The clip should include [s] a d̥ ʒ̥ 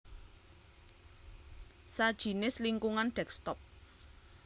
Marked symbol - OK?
yes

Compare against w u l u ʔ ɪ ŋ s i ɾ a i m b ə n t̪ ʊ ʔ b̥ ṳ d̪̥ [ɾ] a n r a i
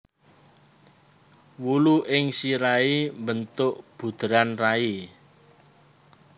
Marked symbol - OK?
yes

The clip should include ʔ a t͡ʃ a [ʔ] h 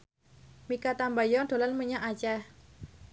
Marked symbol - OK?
no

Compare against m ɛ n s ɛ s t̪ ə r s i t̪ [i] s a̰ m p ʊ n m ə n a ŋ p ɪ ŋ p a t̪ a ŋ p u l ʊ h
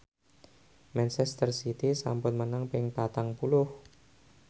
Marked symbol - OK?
yes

